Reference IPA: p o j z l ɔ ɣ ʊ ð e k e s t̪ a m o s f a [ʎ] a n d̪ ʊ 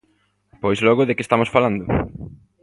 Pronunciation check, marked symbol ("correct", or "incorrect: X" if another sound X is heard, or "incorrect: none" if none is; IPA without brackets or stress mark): incorrect: l